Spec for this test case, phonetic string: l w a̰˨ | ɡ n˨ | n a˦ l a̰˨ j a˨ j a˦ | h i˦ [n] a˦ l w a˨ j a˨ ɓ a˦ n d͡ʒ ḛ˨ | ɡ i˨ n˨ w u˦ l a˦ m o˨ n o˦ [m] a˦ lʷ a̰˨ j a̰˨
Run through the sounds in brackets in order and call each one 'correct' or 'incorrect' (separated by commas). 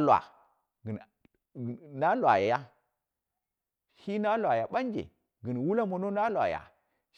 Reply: correct, incorrect